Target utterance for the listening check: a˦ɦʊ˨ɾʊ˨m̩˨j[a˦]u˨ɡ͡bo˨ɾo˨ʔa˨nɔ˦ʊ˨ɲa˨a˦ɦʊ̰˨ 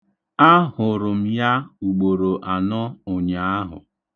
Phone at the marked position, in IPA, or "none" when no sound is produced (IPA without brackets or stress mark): a˦